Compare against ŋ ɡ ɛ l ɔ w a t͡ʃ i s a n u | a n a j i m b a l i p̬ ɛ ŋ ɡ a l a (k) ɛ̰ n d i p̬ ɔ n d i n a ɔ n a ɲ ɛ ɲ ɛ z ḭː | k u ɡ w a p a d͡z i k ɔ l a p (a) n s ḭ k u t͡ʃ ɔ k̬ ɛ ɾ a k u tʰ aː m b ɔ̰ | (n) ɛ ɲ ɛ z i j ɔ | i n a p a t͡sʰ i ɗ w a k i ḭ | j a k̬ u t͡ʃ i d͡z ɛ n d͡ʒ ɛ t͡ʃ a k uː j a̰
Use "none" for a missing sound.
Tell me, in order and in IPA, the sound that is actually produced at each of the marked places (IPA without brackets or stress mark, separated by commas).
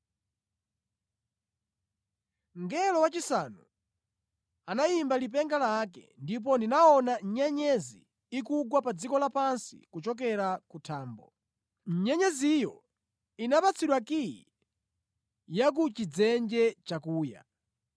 k, a, ɲ